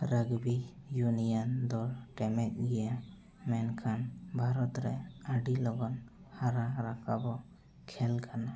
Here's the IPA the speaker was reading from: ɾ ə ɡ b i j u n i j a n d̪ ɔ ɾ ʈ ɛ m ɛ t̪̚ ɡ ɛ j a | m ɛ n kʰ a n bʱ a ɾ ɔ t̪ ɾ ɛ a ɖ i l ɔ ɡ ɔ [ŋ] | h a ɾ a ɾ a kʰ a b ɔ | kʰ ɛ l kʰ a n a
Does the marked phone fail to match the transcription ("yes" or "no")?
yes